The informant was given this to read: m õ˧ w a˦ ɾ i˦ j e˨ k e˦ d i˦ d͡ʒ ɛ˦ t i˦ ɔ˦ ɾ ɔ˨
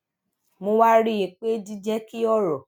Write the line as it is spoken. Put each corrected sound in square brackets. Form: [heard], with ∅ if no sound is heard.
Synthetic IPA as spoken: m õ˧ w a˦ ɾ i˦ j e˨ [k͡p] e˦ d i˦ d͡ʒ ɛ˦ [k] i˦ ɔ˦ ɾ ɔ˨